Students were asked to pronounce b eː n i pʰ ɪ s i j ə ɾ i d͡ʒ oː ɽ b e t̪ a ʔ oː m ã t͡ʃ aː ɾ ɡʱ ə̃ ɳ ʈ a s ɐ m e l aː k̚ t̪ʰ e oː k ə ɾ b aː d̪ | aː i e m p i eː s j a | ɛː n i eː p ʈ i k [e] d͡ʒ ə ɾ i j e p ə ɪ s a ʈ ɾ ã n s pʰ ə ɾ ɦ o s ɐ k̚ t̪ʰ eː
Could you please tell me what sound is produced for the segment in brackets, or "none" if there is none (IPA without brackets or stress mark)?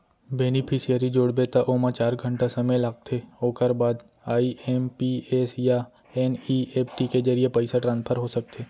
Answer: e